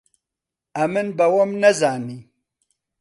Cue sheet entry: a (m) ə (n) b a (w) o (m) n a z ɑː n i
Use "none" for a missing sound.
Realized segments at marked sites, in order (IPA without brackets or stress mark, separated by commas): m, n, w, m